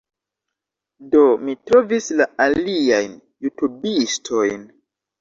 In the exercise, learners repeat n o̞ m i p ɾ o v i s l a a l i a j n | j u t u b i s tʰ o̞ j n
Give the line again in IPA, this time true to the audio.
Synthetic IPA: d o̞ m i t ɾ o v i s l a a l i a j n | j u t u b i s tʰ o̞ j n